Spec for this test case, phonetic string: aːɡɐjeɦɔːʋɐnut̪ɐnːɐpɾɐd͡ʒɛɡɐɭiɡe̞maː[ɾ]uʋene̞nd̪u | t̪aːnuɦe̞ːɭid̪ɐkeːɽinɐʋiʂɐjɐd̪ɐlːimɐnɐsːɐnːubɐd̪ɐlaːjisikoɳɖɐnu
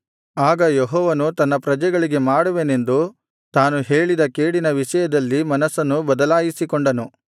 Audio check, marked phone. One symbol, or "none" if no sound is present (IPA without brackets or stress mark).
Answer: ɽ